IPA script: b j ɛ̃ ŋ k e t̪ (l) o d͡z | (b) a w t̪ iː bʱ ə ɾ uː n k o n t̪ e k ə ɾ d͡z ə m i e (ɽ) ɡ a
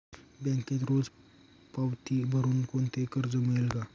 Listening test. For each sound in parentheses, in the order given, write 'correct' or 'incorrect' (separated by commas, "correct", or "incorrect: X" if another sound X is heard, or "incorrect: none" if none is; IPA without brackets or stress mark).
incorrect: ɾ, incorrect: p, incorrect: l